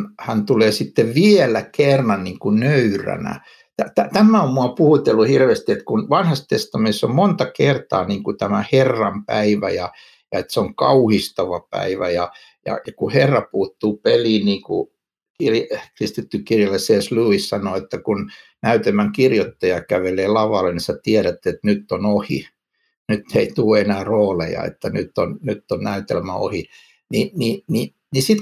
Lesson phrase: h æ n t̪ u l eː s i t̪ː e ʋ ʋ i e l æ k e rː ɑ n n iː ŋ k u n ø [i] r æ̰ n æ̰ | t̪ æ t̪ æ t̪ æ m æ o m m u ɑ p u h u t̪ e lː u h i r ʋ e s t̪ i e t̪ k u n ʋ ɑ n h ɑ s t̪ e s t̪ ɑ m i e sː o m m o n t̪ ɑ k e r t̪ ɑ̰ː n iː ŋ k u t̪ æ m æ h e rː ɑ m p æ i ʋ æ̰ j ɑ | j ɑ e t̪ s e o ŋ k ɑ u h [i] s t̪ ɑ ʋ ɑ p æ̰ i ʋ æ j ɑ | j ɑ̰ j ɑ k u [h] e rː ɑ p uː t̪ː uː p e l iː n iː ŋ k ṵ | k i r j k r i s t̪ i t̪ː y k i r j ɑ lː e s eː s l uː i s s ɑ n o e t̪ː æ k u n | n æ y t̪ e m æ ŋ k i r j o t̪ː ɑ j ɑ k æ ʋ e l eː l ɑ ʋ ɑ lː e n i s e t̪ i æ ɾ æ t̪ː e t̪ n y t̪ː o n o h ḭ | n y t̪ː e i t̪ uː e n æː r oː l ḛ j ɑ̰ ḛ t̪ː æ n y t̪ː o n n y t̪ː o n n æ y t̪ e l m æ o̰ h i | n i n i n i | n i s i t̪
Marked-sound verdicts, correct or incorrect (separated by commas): incorrect, correct, correct